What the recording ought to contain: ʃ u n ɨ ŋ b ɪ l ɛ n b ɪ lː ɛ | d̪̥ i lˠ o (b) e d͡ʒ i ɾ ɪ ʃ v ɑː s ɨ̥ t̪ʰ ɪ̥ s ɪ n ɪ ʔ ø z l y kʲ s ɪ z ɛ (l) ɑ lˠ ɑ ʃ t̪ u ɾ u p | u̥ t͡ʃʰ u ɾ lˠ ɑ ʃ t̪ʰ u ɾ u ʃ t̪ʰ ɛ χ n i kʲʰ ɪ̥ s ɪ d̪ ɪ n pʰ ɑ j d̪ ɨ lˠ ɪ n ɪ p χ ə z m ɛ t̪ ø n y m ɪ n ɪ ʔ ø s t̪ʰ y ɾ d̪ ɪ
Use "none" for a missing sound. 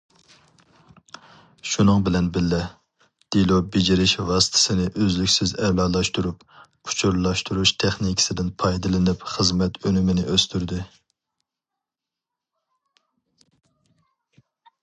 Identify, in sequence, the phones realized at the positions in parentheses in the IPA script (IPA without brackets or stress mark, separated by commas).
b, l